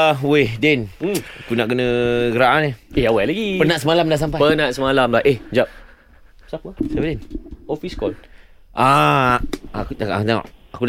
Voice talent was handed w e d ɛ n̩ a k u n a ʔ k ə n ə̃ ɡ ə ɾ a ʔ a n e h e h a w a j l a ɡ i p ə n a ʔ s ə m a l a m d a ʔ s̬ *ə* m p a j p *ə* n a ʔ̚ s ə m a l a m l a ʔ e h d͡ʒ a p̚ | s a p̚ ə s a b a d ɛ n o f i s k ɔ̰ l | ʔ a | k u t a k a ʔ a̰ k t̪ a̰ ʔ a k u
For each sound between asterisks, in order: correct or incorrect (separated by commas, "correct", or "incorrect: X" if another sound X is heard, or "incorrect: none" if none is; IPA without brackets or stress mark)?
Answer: incorrect: a, correct